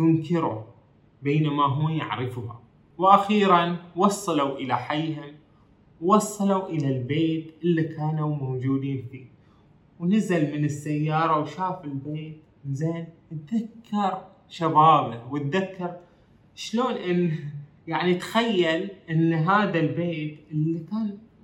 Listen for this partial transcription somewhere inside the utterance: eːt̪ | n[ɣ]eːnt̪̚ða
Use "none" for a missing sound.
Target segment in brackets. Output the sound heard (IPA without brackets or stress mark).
z